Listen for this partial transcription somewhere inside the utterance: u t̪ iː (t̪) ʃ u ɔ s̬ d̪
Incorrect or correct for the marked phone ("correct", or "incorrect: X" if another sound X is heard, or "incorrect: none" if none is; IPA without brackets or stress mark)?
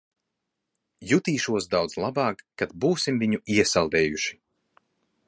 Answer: incorrect: none